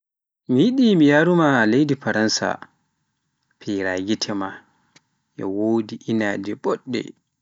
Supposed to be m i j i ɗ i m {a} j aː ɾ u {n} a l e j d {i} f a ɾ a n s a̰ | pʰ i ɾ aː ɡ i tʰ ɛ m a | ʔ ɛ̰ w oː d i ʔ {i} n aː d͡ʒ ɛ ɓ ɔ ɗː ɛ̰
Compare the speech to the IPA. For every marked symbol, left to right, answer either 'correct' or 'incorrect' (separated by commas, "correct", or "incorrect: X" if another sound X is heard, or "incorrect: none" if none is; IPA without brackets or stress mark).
incorrect: i, incorrect: m, correct, correct